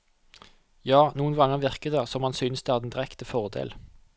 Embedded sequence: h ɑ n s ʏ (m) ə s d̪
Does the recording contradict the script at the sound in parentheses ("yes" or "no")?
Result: yes